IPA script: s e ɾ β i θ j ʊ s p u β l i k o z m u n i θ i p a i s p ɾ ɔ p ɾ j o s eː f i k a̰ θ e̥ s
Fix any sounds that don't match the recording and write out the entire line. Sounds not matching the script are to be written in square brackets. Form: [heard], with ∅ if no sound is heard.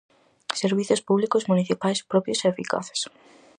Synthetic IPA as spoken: s e ɾ β i θ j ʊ s p u β l i k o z m u n i θ i p a [j] s p ɾ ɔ p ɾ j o s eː f i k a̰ θ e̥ s